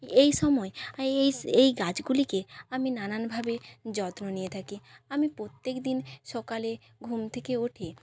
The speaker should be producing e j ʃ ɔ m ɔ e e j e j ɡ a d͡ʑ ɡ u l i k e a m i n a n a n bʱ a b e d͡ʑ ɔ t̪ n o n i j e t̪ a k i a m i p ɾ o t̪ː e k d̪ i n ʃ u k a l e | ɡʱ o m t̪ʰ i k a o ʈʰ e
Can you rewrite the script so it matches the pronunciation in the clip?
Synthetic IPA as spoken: e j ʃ ɔ m ɔ e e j e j ɡ a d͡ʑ ɡ u l i k e a m i n a n a n bʱ a b e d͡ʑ ɔ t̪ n o n i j e t̪ʰ a k i a m i p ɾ o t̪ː e k d̪ i n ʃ ɔ k a l e | ɡʱ u m t̪ʰ e k e o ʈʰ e